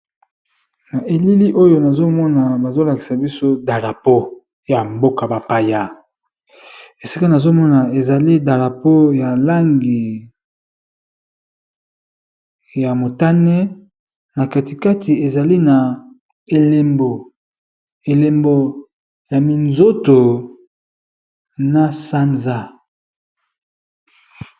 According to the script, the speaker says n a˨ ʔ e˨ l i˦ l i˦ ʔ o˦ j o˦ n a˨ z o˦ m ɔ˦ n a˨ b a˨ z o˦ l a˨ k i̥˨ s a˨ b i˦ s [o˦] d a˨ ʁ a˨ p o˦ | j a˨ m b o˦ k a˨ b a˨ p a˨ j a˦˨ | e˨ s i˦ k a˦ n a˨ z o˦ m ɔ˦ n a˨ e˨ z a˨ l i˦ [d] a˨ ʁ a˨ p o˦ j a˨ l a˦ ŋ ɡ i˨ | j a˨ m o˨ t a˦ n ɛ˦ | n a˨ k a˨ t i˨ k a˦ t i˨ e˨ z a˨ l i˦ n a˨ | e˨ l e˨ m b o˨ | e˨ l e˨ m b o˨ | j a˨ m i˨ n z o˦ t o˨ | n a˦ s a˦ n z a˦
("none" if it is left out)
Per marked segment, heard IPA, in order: o˦, d

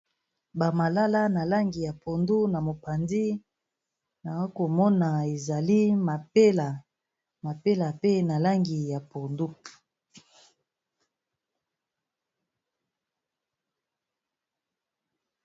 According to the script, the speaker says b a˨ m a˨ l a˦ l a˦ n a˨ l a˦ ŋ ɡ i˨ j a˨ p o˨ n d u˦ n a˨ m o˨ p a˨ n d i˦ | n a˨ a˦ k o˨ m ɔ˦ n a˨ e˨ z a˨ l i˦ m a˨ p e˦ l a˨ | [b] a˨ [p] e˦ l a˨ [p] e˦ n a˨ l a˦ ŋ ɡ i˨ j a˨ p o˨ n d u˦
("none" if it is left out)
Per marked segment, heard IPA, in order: m, p, p

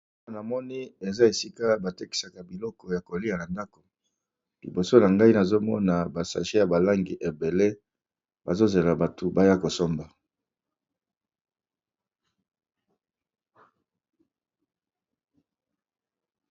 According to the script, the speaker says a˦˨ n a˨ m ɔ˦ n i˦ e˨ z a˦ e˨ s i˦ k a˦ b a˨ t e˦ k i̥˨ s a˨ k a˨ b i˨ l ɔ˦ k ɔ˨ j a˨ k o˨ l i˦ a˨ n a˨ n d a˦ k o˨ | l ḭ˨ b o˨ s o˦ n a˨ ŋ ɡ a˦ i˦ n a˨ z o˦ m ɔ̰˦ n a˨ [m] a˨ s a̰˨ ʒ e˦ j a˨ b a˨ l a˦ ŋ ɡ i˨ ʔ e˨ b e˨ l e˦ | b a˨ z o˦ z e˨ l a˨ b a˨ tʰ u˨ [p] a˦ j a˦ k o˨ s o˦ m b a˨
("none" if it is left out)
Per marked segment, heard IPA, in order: b, b

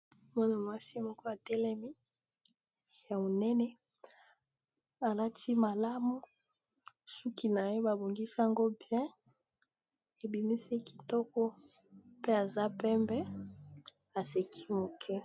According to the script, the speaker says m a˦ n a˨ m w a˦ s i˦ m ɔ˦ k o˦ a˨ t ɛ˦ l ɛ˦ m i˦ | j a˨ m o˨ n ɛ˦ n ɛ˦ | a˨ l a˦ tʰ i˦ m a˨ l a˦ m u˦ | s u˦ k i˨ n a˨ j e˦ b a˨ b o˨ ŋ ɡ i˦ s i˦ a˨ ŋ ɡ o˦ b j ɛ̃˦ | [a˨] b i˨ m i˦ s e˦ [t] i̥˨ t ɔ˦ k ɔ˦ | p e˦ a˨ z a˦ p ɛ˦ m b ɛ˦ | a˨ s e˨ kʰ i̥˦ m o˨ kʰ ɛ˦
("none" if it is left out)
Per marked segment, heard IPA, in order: e˨, k

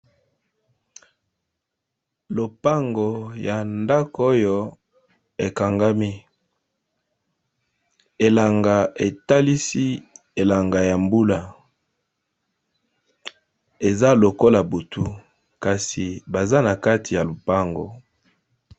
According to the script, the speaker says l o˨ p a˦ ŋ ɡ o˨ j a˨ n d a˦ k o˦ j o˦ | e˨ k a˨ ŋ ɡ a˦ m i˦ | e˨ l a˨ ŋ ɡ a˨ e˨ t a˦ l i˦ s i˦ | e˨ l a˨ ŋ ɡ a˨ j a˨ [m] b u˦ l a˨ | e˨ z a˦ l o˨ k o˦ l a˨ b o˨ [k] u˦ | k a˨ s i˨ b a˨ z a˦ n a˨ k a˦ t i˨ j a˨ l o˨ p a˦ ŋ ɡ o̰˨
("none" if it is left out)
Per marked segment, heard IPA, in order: m, t

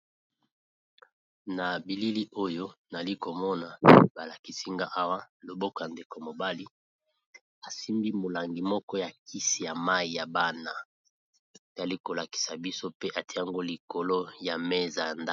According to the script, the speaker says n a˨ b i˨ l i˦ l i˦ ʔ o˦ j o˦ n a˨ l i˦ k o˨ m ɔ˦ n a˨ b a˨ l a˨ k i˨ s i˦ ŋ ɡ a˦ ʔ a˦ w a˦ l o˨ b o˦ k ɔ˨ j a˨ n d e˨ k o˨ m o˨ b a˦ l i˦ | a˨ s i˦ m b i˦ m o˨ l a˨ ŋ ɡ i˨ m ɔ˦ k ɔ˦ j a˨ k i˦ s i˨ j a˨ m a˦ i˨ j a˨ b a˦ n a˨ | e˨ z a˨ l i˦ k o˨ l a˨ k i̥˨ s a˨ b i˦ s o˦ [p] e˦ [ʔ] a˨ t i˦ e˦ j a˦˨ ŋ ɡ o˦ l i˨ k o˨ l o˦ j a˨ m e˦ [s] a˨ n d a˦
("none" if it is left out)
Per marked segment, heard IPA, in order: p, ʔ, z

